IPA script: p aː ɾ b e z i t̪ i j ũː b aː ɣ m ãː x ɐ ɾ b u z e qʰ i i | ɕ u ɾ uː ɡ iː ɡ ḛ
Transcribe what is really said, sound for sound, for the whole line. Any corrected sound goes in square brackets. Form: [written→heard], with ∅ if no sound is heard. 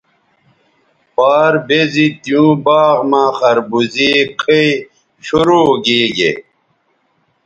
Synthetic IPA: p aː ɾ b e z i t̪ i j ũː b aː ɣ m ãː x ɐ ɾ b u z [e→i] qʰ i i | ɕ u ɾ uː ɡ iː ɡ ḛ